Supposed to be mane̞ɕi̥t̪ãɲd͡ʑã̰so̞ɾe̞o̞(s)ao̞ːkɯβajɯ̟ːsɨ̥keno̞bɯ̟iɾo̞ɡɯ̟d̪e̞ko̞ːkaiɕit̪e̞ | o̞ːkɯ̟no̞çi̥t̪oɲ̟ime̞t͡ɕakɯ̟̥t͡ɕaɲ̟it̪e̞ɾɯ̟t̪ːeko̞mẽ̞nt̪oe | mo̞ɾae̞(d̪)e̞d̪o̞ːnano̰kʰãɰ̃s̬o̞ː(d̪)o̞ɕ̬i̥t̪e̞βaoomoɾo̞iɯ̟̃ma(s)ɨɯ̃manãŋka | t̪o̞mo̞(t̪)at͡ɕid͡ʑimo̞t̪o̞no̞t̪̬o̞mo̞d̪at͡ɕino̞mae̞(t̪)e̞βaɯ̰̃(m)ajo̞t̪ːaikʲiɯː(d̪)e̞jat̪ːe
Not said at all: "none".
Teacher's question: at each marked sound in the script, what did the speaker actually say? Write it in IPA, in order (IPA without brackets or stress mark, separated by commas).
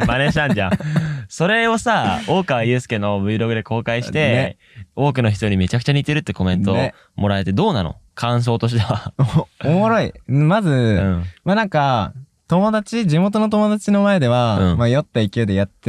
s, t̪, t̪, z, d̪, d̪, m, d̪